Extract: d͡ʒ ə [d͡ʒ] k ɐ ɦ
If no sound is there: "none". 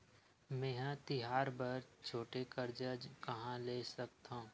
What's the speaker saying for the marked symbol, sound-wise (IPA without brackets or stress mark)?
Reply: d͡ʒ